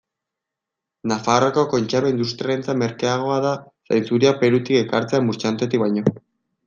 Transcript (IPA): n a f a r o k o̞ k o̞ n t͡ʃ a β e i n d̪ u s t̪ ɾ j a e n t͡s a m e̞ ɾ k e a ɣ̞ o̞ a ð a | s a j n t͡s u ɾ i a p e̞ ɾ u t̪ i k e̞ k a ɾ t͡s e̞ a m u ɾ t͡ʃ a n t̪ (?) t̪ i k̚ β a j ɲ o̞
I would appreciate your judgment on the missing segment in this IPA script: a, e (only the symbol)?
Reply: e